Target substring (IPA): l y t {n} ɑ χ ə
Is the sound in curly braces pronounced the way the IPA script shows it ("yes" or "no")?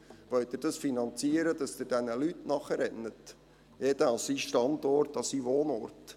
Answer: yes